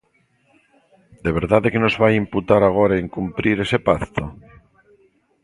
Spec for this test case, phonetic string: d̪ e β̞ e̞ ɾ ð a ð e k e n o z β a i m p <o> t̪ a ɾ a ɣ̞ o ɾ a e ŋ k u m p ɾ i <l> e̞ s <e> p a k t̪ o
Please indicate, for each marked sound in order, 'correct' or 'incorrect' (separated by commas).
incorrect, incorrect, correct